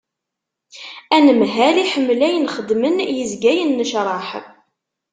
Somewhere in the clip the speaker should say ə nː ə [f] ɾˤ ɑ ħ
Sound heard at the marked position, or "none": ʃ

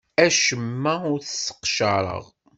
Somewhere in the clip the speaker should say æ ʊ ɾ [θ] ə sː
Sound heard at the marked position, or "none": θ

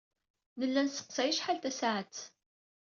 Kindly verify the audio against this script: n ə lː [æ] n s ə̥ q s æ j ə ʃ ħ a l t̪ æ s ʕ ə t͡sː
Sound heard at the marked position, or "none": æ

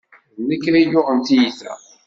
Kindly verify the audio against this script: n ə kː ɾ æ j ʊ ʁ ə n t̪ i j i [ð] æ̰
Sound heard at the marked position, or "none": θ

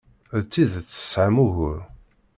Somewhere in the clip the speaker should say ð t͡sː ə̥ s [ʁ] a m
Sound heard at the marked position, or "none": ʕ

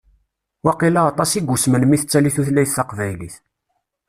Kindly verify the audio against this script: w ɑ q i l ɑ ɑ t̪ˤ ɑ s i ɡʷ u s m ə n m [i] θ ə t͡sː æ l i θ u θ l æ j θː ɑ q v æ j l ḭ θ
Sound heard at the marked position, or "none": i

